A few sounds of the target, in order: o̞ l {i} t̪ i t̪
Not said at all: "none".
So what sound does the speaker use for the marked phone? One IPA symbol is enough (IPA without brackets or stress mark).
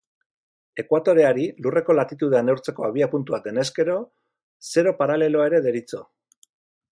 a